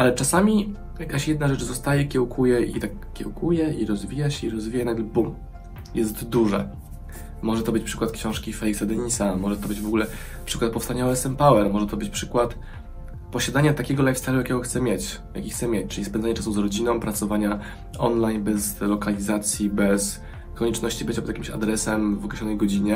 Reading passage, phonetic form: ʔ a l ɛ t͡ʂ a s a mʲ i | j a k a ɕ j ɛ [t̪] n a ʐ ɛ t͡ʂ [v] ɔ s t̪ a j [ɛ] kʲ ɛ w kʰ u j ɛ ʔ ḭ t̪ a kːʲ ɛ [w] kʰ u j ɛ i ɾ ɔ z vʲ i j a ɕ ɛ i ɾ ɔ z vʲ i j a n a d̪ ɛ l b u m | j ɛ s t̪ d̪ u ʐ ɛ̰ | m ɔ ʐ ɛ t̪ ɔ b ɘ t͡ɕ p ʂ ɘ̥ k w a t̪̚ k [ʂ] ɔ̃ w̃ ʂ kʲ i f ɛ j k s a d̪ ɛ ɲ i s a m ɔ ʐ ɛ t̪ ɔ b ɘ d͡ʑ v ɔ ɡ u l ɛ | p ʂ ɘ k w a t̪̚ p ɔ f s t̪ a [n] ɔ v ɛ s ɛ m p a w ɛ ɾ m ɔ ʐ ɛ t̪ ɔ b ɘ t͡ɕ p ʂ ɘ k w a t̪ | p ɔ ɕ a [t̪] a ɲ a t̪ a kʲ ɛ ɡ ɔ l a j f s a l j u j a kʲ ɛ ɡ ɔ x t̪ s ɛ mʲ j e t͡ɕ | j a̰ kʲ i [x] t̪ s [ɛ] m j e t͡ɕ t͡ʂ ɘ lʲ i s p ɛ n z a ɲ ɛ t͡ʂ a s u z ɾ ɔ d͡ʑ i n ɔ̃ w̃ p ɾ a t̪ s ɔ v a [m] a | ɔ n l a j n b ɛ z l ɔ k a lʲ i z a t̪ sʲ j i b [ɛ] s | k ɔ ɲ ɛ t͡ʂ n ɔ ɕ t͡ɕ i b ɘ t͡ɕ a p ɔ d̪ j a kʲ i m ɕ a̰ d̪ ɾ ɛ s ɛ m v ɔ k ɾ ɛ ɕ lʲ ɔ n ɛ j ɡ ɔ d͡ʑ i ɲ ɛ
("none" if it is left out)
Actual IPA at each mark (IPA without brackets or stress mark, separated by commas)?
d̪, z, ɛ, w, ɕ, ɲ, d̪, x, ɛ, ɲ, ɛ